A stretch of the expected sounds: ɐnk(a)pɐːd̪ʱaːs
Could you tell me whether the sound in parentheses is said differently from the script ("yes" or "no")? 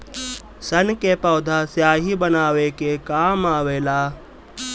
yes